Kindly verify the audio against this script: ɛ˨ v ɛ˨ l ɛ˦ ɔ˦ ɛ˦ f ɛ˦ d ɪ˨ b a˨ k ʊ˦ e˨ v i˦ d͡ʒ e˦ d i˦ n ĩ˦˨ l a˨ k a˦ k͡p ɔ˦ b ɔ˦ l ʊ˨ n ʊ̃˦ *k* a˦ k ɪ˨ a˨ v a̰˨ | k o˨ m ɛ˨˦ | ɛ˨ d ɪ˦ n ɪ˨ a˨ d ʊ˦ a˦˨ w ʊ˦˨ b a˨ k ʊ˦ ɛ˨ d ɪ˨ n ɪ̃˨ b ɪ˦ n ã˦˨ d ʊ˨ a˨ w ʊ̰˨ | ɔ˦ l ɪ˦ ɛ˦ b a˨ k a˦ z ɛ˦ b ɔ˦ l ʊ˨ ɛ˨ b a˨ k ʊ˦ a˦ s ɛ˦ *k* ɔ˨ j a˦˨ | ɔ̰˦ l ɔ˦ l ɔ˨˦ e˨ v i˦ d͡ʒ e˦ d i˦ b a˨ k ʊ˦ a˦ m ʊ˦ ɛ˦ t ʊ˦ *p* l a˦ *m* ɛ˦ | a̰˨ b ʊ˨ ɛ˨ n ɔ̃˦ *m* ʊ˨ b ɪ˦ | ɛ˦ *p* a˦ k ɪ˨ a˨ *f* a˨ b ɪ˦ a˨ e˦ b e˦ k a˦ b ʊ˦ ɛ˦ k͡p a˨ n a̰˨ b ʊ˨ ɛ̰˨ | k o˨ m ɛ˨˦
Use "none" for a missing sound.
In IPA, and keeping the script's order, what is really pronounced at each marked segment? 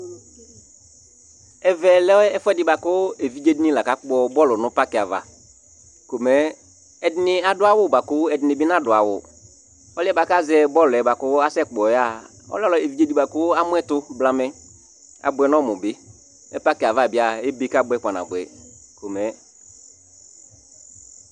p, k͡p, b, m, m, p, v

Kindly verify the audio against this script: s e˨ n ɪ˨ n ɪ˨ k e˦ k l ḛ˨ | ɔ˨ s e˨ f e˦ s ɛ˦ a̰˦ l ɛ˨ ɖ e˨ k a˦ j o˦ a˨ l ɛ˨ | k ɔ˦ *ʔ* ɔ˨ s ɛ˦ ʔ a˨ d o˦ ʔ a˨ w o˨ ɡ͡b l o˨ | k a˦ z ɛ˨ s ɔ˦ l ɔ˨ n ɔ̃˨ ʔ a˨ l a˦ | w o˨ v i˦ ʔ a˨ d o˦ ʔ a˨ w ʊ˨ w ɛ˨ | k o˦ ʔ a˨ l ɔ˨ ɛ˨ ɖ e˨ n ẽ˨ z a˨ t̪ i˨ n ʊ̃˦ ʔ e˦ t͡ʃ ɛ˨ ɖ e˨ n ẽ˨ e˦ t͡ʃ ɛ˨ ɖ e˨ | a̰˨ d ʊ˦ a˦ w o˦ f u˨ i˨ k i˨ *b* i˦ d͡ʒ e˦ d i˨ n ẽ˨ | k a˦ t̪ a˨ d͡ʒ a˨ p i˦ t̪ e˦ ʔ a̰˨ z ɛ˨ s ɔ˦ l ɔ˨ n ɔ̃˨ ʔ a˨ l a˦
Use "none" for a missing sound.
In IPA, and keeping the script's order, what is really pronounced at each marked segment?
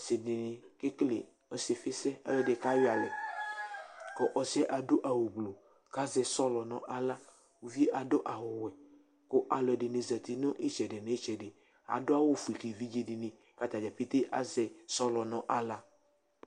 ʔ, v

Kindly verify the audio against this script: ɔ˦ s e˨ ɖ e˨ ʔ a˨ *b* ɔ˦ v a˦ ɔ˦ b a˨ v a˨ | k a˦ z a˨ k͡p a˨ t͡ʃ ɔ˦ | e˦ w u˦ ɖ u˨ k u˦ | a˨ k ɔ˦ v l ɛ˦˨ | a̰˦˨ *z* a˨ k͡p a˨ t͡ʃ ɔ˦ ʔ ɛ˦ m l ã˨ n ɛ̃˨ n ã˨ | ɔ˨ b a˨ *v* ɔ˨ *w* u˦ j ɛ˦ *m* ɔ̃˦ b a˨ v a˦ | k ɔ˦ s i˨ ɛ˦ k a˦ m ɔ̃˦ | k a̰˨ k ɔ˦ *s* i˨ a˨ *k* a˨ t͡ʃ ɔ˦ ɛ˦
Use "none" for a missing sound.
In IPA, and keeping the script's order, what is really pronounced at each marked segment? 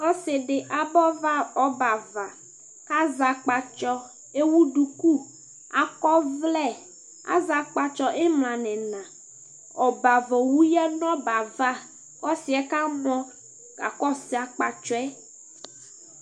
b, z, v, w, n, s, k͡p

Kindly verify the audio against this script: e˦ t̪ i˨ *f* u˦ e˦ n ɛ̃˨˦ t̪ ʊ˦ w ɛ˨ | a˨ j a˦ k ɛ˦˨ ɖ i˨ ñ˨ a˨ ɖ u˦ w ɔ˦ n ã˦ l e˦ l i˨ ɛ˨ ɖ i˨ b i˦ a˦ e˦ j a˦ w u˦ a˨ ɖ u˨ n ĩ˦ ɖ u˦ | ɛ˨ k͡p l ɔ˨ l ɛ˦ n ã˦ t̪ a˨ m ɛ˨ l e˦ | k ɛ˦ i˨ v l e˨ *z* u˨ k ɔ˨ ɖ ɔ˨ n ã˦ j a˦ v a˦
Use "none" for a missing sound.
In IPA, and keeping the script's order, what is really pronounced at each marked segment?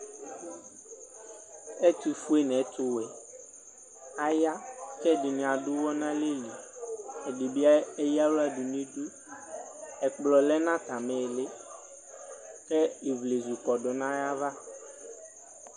f, z

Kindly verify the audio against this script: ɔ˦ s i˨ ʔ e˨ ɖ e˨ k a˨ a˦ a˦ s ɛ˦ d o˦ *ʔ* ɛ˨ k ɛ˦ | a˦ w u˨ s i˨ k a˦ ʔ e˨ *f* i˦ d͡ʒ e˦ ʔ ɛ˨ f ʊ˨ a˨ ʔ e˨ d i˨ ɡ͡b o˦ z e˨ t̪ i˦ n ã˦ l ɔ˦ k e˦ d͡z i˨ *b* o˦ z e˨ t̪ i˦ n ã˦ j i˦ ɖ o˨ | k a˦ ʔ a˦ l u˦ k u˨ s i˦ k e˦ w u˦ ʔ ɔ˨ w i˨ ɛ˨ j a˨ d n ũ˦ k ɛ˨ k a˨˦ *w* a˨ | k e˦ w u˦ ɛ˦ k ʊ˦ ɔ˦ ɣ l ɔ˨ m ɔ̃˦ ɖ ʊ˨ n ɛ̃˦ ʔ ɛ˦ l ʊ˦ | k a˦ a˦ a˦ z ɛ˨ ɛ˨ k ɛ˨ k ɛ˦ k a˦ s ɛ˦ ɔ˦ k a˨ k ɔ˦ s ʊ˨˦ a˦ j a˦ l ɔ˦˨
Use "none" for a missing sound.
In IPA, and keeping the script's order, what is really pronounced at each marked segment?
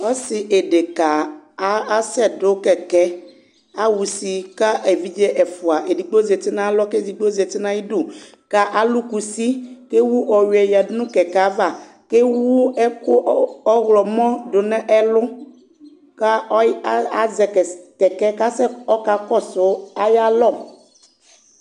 k, v, ɡ͡b, v

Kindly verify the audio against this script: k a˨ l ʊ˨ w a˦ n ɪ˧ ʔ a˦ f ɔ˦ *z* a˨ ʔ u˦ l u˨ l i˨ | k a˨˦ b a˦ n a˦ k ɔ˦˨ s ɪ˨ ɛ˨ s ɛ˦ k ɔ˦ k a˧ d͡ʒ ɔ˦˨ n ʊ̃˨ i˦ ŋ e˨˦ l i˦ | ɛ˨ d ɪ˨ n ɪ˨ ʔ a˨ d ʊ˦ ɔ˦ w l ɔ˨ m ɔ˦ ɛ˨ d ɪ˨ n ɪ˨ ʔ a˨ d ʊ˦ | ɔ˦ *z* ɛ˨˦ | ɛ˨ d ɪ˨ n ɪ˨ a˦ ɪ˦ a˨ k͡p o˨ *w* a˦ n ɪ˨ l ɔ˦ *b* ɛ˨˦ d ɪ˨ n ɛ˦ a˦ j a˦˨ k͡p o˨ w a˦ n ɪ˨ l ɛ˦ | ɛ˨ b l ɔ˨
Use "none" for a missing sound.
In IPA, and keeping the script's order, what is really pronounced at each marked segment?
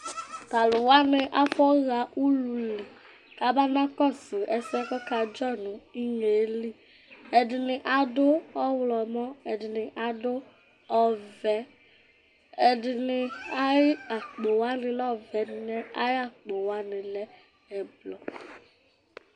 ɣ, v, w, v

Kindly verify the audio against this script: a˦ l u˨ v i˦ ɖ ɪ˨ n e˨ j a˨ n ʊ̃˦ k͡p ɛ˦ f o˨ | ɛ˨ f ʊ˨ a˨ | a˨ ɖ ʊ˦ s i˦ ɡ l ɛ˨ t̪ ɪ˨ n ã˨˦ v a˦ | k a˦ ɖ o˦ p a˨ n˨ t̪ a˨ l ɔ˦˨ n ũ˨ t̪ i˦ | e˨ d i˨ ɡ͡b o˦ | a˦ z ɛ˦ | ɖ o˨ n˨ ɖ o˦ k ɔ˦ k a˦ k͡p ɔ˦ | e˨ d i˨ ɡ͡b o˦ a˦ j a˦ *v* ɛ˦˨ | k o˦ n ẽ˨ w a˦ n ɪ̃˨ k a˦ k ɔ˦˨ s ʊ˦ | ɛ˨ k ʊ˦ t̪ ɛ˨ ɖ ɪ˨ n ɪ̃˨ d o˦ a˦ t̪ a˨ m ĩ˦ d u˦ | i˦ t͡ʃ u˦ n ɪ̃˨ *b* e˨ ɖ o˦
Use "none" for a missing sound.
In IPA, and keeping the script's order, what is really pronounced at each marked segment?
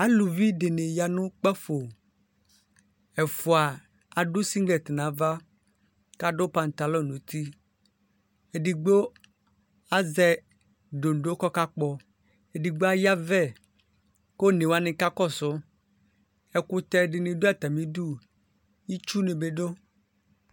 v, b

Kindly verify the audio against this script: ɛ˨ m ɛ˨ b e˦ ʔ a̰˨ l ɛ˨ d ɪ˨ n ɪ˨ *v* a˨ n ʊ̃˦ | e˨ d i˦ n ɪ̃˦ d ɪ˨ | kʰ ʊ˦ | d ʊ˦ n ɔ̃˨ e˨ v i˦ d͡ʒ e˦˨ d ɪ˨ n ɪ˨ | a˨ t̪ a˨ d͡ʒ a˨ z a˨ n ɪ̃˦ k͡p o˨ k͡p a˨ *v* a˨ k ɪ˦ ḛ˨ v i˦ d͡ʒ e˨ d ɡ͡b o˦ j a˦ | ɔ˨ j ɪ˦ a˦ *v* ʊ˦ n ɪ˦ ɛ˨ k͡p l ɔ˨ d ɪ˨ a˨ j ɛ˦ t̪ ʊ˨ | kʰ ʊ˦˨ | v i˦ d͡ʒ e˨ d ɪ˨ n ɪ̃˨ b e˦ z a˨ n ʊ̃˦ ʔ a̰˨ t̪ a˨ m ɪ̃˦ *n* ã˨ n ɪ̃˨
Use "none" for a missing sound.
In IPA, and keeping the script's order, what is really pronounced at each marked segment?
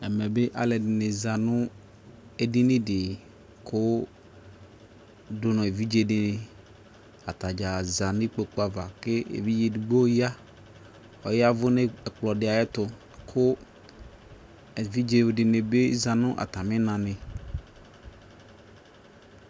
z, v, v, n

